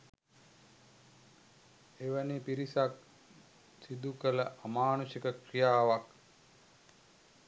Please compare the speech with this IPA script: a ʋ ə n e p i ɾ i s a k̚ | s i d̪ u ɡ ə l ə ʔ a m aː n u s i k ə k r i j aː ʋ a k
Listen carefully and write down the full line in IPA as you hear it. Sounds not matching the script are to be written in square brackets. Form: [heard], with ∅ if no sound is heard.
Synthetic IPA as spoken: [e] ʋ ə n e p i ɾ i s a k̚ | s i d̪ u [k] ə l ə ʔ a m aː n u s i k ə k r i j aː ʋ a k